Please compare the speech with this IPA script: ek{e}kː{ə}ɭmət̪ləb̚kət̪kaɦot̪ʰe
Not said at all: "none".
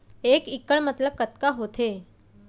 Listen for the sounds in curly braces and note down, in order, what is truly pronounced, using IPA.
i, ə

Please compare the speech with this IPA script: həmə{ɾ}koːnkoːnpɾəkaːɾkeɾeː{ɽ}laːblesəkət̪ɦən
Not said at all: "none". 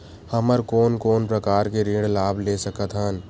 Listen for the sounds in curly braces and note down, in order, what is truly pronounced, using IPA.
ɾ, ɽ

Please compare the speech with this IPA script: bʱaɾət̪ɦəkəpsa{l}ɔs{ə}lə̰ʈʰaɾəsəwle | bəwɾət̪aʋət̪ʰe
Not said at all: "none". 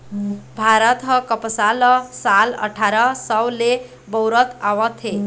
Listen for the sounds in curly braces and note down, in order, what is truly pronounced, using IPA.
l, a

